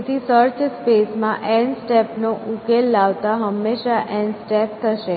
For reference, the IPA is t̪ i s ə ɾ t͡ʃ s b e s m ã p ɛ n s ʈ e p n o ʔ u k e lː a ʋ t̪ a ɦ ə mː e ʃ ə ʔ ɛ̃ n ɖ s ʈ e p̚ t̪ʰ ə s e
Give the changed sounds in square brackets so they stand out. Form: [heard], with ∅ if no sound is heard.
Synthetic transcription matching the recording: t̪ i s ə ɾ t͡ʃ s [p] e s m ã [ʔ] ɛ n s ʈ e p n o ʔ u k e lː a ʋ t̪ a ɦ ə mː e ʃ [a] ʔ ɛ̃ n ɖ s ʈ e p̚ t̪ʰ ə [ʃ] e